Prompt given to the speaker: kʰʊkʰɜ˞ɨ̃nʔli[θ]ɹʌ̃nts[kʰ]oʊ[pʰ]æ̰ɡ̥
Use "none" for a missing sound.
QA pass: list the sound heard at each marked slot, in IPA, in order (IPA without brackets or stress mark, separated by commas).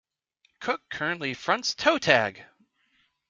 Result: f, tʰ, tʰ